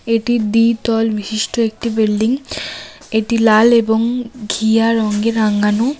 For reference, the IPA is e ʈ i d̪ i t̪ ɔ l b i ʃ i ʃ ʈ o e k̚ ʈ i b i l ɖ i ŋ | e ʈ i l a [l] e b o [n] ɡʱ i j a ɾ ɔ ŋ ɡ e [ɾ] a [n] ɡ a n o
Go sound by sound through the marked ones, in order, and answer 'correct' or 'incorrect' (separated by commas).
correct, incorrect, correct, incorrect